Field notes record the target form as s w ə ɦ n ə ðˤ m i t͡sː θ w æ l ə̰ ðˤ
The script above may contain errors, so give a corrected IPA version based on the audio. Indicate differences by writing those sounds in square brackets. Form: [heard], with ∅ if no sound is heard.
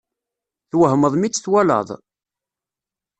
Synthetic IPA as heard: [θ] w ə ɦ [m] ə ðˤ m i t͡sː θ w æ l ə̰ ðˤ